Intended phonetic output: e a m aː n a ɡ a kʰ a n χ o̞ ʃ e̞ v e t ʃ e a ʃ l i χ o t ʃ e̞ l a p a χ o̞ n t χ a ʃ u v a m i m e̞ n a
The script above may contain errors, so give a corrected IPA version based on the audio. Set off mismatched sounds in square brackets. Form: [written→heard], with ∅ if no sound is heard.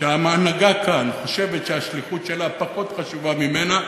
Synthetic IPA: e a m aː n a ɡ a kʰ a n χ o̞ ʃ e̞ v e t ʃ e a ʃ l i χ [o→u] t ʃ e̞ l a p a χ o̞ [n→∅] t χ a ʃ u v a m i m e̞ n a